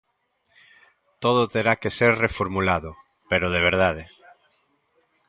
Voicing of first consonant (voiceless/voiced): voiceless